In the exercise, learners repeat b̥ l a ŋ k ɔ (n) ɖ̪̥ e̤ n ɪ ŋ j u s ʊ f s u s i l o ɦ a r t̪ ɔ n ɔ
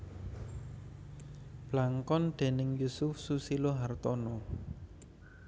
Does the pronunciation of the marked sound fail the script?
no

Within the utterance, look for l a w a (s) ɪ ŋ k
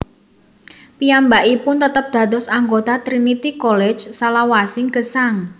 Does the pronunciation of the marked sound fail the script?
no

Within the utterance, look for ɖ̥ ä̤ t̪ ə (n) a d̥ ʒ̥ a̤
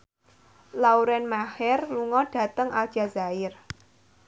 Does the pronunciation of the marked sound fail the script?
yes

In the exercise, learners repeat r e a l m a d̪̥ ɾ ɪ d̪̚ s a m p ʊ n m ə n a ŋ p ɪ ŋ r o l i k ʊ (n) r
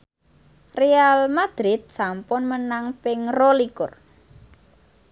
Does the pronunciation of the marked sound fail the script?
yes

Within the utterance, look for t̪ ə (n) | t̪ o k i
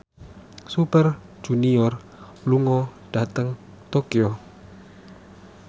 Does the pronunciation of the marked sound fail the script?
yes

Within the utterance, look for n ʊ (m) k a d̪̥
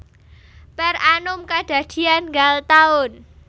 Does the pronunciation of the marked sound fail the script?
no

